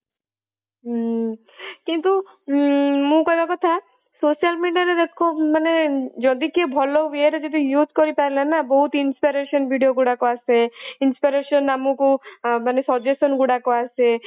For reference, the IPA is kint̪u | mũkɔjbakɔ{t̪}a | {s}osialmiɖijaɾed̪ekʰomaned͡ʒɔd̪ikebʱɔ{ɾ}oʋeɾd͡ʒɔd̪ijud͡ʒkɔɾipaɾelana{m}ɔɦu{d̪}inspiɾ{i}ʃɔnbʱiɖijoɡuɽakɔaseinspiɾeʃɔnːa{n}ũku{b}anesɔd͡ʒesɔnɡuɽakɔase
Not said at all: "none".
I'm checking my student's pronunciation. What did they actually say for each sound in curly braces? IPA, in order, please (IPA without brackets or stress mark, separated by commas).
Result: t̪ʰ, s, l, b, t̪, e, m, m